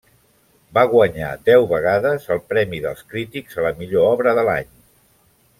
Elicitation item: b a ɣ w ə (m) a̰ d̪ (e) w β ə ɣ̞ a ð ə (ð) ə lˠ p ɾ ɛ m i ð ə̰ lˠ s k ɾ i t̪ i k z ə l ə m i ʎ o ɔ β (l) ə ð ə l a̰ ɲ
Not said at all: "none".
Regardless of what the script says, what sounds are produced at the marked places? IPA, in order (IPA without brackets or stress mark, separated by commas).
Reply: ɲ, ɛ, z, ɾ